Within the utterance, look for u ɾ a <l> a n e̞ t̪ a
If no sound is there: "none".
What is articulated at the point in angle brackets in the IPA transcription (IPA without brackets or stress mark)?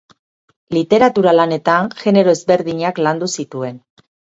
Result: l